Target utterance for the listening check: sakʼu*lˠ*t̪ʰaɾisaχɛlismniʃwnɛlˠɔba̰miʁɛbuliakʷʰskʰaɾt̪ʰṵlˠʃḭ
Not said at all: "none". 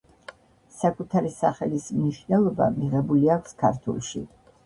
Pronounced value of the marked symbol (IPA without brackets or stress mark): none